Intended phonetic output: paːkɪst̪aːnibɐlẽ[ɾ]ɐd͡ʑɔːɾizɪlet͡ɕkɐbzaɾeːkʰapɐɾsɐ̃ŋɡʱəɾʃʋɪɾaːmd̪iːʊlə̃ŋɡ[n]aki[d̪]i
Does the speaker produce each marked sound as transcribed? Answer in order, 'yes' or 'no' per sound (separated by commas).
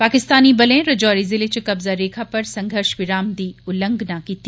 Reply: yes, yes, no